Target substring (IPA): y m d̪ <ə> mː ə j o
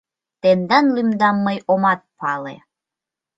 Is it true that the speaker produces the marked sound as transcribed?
no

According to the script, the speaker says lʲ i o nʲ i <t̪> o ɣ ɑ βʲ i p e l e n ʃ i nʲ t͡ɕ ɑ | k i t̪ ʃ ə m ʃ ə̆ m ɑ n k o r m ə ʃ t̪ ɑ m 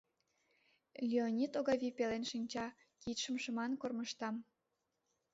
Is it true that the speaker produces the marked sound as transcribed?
yes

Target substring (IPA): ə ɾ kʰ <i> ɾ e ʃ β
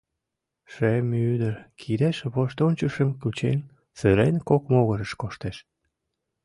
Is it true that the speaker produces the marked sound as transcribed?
yes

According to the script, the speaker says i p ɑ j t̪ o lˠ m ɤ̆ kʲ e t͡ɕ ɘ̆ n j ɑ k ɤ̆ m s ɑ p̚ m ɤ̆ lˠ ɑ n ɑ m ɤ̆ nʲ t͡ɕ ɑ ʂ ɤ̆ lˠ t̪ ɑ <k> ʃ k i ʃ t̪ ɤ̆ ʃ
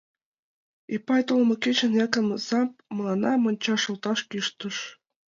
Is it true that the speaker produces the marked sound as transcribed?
no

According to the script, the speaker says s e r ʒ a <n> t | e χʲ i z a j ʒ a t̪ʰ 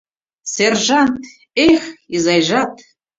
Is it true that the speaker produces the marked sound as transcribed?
yes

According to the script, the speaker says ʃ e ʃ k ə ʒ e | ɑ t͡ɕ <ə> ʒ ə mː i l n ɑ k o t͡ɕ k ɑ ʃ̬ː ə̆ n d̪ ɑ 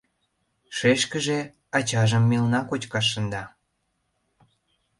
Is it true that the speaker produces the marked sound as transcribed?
no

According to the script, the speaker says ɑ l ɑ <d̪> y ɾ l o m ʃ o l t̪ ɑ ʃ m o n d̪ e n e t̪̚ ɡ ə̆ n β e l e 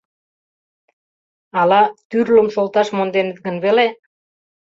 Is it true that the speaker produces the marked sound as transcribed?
no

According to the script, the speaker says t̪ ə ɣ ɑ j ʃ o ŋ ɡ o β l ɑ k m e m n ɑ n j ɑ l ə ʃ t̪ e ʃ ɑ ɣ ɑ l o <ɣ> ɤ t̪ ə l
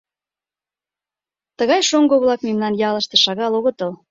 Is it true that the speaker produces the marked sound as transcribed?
yes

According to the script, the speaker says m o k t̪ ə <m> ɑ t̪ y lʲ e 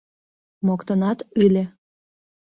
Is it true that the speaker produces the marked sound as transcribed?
no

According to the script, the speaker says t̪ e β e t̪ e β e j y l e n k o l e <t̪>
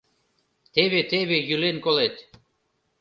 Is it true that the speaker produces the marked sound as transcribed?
yes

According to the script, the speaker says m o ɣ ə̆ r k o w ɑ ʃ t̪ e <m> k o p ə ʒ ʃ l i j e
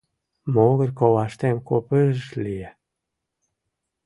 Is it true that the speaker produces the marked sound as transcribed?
yes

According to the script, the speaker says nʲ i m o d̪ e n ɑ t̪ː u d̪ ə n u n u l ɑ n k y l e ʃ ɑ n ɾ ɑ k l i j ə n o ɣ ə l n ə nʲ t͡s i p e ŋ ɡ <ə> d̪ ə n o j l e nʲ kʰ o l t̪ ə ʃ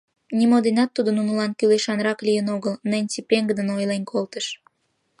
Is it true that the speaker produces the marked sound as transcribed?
yes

